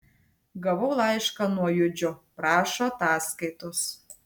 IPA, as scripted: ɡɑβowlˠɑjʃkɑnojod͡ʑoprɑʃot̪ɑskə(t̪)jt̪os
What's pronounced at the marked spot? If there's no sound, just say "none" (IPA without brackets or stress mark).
none